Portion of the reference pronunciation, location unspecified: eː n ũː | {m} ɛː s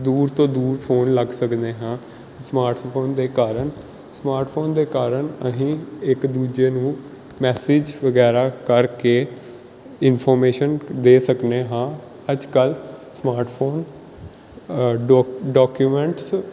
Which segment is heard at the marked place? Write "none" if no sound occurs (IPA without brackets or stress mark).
m